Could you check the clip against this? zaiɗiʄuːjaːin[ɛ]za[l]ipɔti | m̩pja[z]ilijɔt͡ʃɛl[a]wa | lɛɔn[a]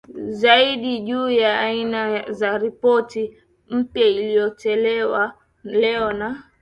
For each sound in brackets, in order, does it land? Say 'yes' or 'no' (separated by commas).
no, no, no, no, yes